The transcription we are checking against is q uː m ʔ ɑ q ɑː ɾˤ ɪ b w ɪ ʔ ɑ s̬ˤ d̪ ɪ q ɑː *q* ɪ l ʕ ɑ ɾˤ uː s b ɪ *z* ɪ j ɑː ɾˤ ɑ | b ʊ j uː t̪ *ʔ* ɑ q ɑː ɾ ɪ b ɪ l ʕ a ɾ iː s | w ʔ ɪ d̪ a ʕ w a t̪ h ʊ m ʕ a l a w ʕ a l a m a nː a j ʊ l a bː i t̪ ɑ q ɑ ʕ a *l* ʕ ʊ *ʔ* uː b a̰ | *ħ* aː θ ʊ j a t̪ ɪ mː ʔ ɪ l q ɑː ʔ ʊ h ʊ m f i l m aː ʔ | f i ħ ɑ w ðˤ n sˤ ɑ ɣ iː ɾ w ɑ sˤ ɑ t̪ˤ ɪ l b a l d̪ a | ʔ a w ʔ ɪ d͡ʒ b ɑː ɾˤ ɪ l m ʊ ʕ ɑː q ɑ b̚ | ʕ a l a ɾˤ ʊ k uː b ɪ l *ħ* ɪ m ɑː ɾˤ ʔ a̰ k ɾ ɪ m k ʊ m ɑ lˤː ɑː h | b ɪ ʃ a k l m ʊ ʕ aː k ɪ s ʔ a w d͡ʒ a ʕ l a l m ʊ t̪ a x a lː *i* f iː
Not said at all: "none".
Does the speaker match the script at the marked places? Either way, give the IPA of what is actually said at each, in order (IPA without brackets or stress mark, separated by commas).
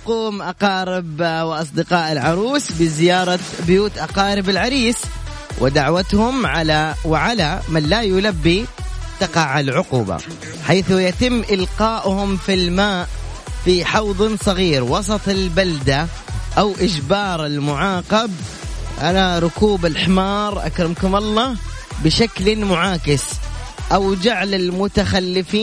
ʔ, z, ʔ, l, q, ħ, ħ, ɪ